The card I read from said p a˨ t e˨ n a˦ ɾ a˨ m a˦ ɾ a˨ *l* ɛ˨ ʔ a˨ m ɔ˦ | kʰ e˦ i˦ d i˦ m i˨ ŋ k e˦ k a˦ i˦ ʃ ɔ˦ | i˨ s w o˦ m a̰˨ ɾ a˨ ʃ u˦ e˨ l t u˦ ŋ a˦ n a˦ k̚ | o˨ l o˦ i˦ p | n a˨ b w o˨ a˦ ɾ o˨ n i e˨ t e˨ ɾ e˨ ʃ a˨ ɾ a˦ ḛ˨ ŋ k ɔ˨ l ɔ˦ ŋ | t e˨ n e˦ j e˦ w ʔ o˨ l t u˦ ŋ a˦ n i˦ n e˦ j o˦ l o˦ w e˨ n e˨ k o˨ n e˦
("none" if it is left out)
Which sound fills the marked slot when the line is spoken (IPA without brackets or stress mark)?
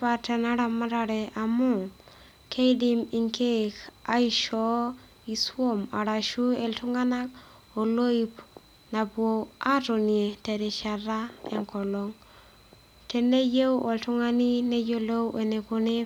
ɾ